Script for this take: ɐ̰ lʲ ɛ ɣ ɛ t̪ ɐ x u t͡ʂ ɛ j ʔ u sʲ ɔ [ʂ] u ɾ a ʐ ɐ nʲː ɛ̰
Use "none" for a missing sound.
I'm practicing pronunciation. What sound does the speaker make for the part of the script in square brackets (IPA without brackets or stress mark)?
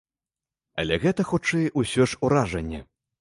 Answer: ʂ